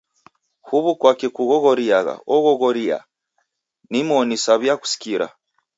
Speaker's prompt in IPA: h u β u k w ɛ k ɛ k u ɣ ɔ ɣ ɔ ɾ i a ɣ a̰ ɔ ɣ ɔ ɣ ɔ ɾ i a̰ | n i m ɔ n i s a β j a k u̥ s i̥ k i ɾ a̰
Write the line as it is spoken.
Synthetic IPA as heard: h u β u k w a k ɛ k u ɣ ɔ ɣ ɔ ɾ i a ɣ a̰ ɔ ɣ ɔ ɣ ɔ ɾ i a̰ | n i m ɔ n i s a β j a k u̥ s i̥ k i ɾ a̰